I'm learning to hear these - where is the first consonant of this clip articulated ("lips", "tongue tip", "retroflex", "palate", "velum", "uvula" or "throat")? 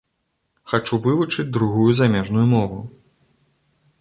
velum